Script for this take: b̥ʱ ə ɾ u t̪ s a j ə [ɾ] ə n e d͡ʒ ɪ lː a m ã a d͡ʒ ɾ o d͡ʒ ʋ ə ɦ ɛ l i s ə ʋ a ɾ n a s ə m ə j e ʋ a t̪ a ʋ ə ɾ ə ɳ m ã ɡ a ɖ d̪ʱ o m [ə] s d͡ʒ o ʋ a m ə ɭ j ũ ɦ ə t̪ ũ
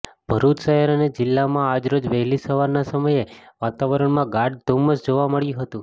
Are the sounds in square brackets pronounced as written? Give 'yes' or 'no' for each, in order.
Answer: yes, yes

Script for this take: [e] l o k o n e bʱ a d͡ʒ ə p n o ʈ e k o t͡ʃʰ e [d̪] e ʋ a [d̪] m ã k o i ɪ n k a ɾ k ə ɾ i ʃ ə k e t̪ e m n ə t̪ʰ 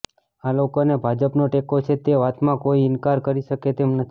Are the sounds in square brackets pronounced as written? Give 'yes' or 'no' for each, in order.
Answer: no, no, no

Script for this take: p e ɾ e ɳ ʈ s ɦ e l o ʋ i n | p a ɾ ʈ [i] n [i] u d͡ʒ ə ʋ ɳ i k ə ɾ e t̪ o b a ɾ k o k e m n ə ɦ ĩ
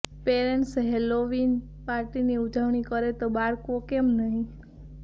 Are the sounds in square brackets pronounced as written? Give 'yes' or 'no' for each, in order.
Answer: yes, yes

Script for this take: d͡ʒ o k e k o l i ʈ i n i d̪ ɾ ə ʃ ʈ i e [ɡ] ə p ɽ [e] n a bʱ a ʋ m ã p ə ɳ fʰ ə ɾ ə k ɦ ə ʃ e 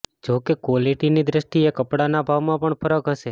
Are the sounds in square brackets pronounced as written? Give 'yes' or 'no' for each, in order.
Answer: no, no

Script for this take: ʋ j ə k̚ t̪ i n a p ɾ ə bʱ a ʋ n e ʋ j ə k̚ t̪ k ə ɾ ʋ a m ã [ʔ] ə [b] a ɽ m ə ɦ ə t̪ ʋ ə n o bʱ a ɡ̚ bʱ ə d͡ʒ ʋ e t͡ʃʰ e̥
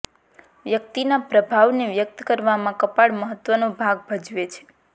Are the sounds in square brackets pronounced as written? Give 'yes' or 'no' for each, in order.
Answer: no, no

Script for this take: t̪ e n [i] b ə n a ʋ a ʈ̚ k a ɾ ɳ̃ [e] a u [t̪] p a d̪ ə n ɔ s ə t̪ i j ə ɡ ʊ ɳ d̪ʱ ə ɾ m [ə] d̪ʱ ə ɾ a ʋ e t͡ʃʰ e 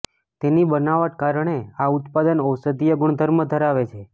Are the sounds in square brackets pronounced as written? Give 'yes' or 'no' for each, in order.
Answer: yes, yes, yes, yes

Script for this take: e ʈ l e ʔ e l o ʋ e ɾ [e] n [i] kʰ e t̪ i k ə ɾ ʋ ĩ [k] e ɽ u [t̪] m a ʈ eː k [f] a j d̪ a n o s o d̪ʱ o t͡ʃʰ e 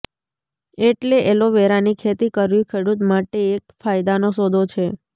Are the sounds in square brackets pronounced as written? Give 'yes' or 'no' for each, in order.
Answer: no, yes, no, yes, yes

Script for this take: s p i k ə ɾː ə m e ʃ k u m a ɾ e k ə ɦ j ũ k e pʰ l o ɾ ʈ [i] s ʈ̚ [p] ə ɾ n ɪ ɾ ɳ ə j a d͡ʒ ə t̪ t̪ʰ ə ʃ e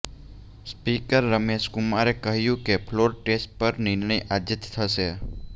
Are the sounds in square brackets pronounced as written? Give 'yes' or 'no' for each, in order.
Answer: no, yes

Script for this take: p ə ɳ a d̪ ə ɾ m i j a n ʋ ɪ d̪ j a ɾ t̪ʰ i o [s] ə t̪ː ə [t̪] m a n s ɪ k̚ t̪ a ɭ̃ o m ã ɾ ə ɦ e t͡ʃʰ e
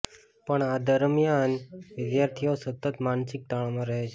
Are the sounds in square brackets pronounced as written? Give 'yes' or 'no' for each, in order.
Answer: yes, yes

